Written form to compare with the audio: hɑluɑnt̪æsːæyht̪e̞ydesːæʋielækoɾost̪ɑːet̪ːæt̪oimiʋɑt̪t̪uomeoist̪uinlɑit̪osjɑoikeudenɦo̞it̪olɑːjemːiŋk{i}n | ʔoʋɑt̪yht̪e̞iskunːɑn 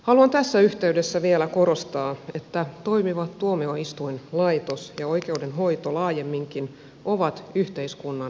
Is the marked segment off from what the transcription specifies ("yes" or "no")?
no